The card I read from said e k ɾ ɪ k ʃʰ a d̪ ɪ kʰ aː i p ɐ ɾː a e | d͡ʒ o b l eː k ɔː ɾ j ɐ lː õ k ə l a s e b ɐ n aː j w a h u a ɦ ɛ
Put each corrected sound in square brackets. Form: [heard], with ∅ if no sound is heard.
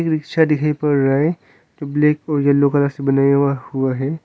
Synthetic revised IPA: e k ɾ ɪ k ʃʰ a d̪ ɪ kʰ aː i p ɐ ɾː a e | d͡ʒ o b l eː k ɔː ɾ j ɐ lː [o] k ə l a s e b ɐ n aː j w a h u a ɦ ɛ